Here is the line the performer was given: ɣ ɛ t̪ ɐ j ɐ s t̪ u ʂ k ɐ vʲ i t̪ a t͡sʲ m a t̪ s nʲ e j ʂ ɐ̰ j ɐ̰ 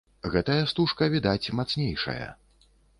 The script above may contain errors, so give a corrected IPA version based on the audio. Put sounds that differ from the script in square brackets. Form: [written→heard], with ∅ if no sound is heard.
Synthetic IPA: ɣ ɛ t̪ ɐ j ɐ s t̪ u ʂ k ɐ vʲ i [t̪→d̪] a t͡sʲ m a t̪ s nʲ e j ʂ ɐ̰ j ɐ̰